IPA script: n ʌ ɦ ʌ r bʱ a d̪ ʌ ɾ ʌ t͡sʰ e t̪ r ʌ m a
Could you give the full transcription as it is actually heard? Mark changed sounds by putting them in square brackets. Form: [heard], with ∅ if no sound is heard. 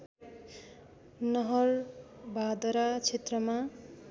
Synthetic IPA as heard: n ʌ ɦ ʌ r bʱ a d̪ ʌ ɾ [a] t͡sʰ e t̪ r ʌ m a